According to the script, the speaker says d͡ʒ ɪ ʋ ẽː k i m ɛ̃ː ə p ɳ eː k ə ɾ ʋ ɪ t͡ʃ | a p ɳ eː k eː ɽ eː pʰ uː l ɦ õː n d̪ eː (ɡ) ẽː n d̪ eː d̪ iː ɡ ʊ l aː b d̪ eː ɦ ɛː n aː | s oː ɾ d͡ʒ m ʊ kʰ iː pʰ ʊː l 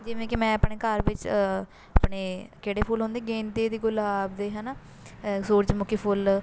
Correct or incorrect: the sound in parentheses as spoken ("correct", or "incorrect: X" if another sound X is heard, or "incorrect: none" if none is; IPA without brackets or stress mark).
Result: correct